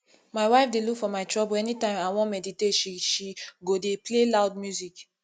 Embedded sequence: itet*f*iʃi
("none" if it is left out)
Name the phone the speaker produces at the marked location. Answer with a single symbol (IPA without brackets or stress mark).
ʃ